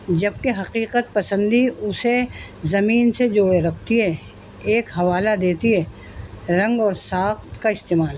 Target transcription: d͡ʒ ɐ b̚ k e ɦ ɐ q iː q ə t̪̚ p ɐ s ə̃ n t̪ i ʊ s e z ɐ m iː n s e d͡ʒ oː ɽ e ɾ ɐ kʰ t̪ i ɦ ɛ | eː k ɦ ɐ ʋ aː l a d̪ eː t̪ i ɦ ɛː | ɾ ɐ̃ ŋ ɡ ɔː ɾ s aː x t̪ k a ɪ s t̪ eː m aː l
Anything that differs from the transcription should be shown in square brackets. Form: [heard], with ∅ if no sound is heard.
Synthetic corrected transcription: d͡ʒ ɐ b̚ k e ɦ ɐ q iː q ə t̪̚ p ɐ s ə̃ n [d̪] i ʊ s e z ɐ m iː n s e d͡ʒ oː ɽ e ɾ ɐ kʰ t̪ i ɦ ɛ | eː k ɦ ɐ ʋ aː l a d̪ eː t̪ i ɦ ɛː | ɾ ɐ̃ ŋ ɡ ɔː ɾ s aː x t̪ k a ɪ s t̪ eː m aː l